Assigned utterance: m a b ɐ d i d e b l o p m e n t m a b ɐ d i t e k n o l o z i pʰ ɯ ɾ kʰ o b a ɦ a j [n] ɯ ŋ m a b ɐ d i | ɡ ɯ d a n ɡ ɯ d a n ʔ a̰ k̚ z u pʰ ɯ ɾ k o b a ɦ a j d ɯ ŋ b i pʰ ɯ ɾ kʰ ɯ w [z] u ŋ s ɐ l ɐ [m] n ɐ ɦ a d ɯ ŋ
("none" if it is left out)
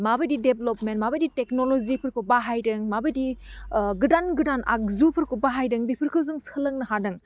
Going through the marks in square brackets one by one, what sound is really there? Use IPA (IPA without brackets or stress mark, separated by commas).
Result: d, z, ŋ